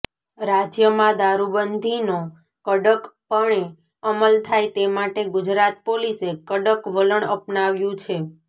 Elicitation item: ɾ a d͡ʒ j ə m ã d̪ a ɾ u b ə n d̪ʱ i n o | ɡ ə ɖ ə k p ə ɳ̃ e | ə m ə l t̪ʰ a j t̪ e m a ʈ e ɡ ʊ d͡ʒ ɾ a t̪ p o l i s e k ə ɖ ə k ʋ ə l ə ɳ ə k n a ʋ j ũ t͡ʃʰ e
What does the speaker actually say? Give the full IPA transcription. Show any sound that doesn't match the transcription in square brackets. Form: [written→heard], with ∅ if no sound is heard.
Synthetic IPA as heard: ɾ a d͡ʒ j ə m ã d̪ a ɾ u b ə n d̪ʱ i n o | [ɡ→k] ə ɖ ə k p ə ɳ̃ e | ə m ə l t̪ʰ a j t̪ e m a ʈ e ɡ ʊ d͡ʒ ɾ a t̪ p o l i s e k ə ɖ ə k ʋ ə l ə ɳ ə [k→p] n a ʋ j ũ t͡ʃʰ e